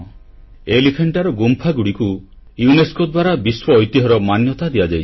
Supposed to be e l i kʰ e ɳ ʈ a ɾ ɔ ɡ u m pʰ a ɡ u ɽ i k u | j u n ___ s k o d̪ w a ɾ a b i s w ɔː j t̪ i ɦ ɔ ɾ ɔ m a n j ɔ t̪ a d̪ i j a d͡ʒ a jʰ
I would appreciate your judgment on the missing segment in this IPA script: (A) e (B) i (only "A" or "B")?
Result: A